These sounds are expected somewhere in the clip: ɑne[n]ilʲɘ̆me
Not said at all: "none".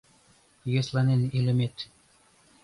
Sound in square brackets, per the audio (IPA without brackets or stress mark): n